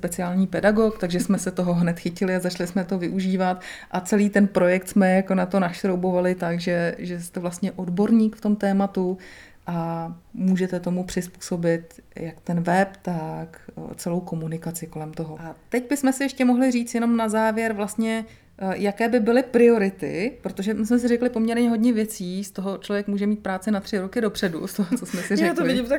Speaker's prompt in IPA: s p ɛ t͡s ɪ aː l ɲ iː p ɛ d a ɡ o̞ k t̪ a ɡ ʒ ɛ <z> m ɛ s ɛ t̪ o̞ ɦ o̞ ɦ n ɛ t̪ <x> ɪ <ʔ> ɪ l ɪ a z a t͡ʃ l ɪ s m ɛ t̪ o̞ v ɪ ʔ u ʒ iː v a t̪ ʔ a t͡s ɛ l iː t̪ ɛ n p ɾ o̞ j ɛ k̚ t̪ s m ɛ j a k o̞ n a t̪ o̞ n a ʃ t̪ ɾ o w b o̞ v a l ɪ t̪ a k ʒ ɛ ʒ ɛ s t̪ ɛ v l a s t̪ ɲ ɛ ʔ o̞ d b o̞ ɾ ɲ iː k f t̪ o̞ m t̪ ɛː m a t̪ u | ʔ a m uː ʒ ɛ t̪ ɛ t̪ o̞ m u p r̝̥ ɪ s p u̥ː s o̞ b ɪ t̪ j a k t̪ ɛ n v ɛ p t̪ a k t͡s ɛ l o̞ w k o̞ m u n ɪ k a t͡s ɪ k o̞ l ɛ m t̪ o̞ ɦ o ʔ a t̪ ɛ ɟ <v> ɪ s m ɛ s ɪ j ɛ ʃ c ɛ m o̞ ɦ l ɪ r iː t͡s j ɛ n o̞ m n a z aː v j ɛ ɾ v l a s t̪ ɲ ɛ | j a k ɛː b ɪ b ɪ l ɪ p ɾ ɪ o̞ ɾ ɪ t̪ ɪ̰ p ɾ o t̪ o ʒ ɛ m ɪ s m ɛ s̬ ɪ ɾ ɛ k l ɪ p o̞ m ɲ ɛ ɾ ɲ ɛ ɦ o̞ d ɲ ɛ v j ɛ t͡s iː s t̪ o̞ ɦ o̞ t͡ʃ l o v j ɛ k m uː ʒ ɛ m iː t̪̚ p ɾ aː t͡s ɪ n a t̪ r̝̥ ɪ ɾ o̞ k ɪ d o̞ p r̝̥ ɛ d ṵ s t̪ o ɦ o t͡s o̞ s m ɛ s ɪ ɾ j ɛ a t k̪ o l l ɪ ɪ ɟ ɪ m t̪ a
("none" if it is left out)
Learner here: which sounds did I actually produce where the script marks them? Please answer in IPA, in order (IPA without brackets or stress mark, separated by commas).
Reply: s, x, c, b